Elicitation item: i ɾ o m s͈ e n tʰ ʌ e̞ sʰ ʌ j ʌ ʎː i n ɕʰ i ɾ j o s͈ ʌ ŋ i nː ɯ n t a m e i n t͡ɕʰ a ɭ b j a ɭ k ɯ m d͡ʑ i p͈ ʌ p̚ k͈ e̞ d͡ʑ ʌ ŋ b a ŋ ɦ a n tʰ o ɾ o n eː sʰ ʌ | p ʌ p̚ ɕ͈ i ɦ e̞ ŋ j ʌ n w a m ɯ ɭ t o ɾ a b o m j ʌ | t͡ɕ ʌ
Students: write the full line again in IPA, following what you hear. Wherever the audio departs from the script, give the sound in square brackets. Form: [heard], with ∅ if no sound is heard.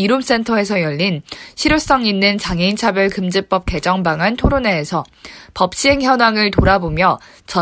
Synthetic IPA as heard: i ɾ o m s͈ e n tʰ ʌ e̞ sʰ ʌ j ʌ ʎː i n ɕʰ i ɾ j o s͈ ʌ ŋ i nː ɯ n [t͡ɕ] a [ŋ] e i n t͡ɕʰ a [∅] b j [ʌ] ɭ k ɯ m d͡ʑ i p͈ ʌ p̚ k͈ e̞ d͡ʑ ʌ ŋ b a ŋ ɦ a n tʰ o ɾ o n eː sʰ ʌ | p ʌ p̚ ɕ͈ i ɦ e̞ ŋ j ʌ n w a [ŋ] ɯ ɭ t o ɾ a b o m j ʌ | t͡ɕ ʌ